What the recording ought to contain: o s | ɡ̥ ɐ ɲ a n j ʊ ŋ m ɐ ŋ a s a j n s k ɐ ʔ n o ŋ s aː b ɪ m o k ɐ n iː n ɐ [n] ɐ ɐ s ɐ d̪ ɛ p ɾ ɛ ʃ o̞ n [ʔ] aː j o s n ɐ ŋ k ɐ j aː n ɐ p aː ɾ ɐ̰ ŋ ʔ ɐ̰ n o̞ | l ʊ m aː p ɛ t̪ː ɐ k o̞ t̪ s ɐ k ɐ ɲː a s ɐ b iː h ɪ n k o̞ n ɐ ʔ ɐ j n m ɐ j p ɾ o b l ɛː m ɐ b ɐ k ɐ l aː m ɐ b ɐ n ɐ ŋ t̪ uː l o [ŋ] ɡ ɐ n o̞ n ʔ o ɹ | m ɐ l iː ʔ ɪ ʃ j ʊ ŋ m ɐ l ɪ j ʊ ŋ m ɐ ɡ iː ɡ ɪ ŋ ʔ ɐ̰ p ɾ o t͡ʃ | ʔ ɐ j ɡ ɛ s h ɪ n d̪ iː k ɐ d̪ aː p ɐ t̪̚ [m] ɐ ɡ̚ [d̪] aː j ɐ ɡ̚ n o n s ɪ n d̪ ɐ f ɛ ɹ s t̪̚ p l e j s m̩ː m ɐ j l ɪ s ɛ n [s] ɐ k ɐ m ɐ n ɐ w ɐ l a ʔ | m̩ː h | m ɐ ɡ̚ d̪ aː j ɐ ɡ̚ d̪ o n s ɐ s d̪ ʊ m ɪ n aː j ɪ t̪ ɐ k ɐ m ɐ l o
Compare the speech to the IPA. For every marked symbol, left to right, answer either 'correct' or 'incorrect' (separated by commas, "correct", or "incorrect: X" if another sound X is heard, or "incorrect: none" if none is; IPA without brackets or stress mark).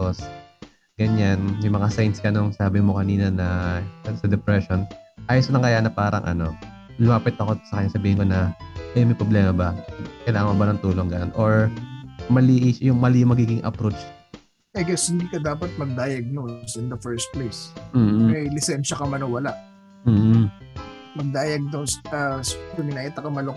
correct, correct, correct, correct, correct, incorrect: ʃ